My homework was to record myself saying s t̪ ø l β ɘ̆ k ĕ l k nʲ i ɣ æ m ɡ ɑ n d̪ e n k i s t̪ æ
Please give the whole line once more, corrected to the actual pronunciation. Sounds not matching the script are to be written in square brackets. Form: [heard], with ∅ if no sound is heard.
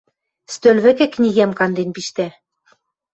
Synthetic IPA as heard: s t̪ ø l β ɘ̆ k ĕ [∅] k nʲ i ɣ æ m [k] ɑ n d̪ e n [p] i [ʃ] t̪ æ